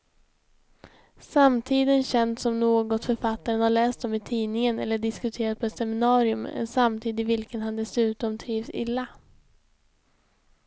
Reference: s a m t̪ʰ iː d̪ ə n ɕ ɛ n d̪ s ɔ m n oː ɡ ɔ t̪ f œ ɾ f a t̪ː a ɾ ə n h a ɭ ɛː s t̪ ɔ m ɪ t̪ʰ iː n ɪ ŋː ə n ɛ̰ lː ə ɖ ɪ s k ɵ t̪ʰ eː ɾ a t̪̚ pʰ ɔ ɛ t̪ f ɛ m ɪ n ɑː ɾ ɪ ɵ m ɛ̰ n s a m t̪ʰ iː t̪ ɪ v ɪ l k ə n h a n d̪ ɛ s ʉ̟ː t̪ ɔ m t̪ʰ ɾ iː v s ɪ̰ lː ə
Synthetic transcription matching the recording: s a m t̪ʰ iː d̪ ə n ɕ ɛ n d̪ s ɔ m n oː ɡ ɔ t̪ f œ ɾ f a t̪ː a ɾ ə n h a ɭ ɛː s t̪ ɔ m ɪ t̪ʰ iː n ɪ ŋ ə n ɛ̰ lː ə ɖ ɪ s k ɵ t̪ʰ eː ɾ a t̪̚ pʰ ɔ ɛ t̪ s ɛ m ɪ n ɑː ɾ ɪ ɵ m ɛ̰ n s a m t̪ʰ iː d̪ ɪ v ɪ l k ə n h a n d̪ ɛ s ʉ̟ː t̪ ɔ m t̪ʰ ɾ iː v s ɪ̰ lː a